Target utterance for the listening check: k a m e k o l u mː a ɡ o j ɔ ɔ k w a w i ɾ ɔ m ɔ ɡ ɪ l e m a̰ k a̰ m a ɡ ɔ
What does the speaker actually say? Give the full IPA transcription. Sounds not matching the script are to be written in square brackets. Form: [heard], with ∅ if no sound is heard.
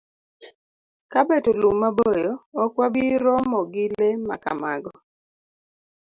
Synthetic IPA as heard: k a [b] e [t] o l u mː a [b] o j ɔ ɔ k w a [b] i ɾ ɔ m ɔ ɡ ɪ l e m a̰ k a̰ m a ɡ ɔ